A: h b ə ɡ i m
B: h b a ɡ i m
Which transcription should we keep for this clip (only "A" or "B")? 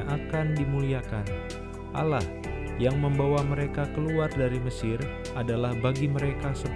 B